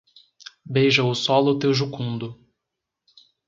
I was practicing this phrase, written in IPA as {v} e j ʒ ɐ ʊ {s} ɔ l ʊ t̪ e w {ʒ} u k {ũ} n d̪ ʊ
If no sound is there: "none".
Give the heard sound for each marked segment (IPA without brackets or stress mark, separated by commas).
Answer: b, s, ʒ, ũ